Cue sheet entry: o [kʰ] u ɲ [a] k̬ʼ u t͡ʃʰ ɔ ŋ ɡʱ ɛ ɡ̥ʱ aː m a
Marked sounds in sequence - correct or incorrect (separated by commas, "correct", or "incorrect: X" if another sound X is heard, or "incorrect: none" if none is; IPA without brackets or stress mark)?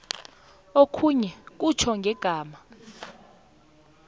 correct, incorrect: ɛ